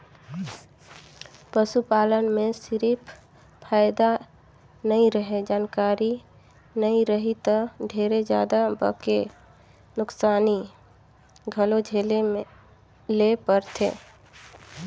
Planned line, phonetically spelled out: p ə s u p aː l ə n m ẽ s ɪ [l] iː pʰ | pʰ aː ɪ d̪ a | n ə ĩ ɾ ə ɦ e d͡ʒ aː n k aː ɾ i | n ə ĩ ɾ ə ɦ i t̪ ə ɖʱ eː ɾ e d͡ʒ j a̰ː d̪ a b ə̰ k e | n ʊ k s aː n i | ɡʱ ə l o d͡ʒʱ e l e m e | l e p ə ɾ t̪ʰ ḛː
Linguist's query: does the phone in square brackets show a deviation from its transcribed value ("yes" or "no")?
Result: yes